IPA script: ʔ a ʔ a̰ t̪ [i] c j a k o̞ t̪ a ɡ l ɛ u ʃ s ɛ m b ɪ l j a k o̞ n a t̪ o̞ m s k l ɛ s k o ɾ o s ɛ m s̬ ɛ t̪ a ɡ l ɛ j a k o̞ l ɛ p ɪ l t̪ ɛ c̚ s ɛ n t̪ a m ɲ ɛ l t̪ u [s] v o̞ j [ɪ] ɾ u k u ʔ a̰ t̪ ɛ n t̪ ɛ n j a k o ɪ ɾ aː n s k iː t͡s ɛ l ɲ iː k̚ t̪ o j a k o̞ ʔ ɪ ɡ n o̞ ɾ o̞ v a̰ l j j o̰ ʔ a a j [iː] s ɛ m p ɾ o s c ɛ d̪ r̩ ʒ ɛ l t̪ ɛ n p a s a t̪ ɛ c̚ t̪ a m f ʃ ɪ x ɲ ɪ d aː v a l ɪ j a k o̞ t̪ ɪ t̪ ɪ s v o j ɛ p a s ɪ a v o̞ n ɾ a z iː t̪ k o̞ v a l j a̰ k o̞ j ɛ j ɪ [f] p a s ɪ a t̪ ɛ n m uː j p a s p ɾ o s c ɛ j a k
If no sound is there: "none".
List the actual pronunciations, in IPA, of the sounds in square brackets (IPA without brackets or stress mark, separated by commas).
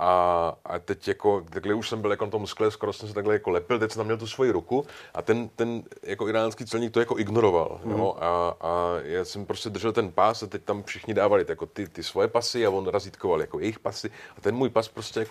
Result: ɛ, s, i, aː, x